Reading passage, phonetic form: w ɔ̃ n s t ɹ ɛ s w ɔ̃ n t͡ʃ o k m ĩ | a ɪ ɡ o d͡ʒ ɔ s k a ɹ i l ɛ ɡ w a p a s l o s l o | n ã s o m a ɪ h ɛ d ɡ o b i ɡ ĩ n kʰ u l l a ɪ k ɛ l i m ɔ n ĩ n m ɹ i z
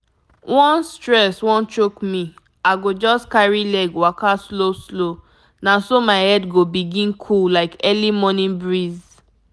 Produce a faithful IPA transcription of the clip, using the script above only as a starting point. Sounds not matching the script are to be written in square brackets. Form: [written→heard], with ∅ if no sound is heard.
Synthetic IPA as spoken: w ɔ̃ n s t ɹ ɛ s w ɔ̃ n t͡ʃ o k m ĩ | a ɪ ɡ o d͡ʒ ɔ s k a ɹ i l ɛ ɡ w a [p→k] a s l o s l o | n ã s o m a ɪ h ɛ d ɡ o b i ɡ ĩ n kʰ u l l a ɪ k ɛ l i m ɔ n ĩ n [m→b] ɹ i z